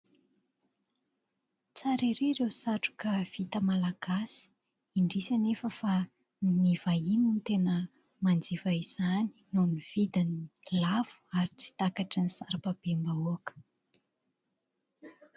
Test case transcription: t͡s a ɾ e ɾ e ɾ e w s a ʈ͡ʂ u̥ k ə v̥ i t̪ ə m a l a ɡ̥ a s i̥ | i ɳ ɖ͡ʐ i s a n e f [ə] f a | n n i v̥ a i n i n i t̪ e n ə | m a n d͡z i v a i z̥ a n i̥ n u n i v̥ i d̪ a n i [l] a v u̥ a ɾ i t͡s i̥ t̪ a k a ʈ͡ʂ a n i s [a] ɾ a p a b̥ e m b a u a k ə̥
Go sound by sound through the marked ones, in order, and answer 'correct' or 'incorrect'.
correct, correct, correct

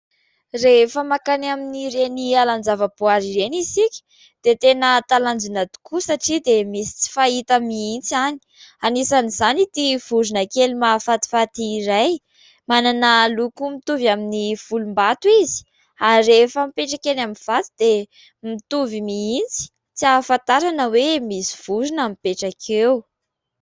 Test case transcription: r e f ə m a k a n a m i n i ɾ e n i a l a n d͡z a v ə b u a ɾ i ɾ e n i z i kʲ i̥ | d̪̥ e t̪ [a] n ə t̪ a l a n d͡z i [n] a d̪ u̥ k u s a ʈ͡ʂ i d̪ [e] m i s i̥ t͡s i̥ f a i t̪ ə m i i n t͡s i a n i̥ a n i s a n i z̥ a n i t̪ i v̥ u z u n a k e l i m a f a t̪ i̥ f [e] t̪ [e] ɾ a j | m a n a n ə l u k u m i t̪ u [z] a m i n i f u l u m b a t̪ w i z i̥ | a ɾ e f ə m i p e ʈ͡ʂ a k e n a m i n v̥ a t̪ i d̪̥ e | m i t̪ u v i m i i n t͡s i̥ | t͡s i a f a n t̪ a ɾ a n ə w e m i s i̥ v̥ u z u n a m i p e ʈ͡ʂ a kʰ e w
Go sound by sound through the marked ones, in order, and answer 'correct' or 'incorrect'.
incorrect: e, correct, correct, incorrect: a, incorrect: i, incorrect: v

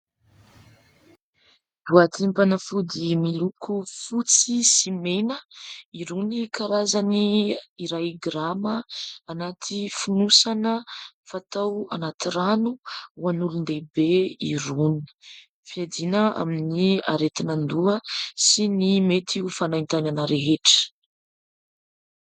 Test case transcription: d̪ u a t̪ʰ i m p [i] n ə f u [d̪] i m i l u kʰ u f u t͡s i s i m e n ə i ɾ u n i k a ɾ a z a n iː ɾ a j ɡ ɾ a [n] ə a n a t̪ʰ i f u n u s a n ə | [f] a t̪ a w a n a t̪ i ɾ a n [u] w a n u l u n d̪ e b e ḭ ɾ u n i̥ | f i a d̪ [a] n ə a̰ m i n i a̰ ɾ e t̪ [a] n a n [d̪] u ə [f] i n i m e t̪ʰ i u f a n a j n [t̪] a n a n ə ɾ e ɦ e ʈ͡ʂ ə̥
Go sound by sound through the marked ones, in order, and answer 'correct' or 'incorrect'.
incorrect: a, correct, incorrect: m, correct, correct, incorrect: i, incorrect: i, correct, incorrect: s, correct

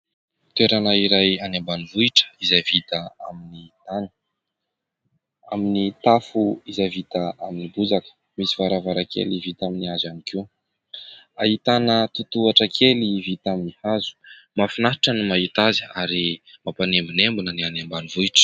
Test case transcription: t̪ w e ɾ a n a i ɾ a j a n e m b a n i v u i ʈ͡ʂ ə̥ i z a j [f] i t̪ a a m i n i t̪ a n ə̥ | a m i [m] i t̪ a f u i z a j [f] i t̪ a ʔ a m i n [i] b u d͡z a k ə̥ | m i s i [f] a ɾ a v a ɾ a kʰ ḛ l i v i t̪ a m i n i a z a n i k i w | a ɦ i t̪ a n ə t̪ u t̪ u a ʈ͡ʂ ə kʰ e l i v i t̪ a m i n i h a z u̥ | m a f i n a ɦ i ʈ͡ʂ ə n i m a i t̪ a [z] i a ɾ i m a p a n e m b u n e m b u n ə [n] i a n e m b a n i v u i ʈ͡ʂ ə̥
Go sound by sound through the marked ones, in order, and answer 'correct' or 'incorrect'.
incorrect: v, incorrect: n, incorrect: v, correct, incorrect: v, correct, correct

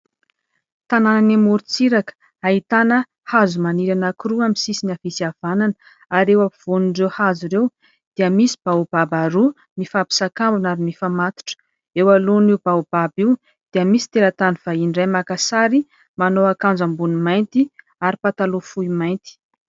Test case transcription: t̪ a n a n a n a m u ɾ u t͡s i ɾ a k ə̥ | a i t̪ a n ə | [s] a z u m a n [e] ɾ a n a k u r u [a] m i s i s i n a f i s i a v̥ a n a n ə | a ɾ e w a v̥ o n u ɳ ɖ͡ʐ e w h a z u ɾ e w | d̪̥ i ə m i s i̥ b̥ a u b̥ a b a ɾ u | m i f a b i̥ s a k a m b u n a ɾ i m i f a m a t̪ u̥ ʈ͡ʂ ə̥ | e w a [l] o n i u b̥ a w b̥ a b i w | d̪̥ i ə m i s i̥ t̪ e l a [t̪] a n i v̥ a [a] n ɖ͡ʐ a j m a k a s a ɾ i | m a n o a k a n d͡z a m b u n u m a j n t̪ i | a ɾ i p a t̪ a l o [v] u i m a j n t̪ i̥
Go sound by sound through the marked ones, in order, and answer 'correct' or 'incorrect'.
incorrect: h, incorrect: i, correct, correct, correct, incorrect: i, incorrect: f

